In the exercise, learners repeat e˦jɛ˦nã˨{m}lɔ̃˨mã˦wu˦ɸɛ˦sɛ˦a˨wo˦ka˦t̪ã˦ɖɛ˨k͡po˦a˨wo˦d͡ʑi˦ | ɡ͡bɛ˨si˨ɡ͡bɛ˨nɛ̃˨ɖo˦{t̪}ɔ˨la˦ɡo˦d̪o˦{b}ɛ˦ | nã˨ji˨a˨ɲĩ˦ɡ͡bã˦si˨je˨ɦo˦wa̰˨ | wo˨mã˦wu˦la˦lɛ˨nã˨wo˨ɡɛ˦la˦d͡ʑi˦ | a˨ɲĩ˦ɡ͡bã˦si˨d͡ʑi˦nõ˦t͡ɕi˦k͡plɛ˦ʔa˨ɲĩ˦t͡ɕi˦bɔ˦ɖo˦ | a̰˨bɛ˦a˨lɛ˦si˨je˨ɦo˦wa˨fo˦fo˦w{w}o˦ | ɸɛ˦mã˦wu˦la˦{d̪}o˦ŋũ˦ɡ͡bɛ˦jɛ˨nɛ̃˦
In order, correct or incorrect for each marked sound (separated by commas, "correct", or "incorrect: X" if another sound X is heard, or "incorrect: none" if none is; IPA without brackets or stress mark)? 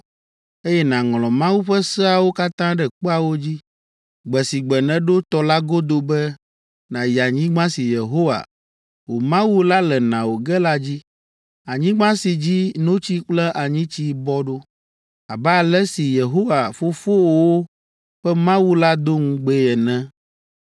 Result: incorrect: ŋ, correct, correct, correct, correct